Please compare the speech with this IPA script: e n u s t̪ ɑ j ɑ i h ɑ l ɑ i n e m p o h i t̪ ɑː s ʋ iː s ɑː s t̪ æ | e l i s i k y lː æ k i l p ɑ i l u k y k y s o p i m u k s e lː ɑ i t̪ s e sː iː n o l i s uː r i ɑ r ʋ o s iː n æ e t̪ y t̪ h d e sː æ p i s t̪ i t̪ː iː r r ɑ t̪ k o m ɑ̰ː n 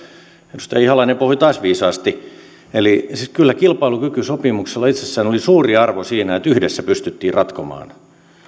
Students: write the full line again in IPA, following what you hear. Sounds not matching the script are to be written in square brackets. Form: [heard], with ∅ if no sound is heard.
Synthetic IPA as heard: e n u s t̪ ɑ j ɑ i h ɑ l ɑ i n e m p o h i t̪ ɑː s ʋ iː s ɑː s t̪ [i] | e l i s i k y lː æ k i l p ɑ i l u k y k y s o p i m u k s e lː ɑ i t̪ s e sː [æː] n o l i s uː r i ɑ r ʋ o s iː n æ e t̪ y [∅] h d e sː æ p [y] s t̪ [y] t̪ː iː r r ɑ t̪ k o m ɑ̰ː n